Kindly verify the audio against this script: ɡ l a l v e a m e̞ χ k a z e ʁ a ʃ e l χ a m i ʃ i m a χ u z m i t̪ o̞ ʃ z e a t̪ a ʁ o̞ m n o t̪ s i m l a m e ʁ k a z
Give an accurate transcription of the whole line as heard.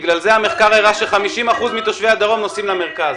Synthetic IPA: ɡ l a l z e a m e̞ χ k a ʁ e ʁ a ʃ e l χ a m i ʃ i m a χ u z m i t̪ o̞ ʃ v e a d̪ a ʁ o̞ m n o s i m l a m e ʁ k a z